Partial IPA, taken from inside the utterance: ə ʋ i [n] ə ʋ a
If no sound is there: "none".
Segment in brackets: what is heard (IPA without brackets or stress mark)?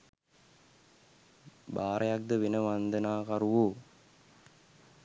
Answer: n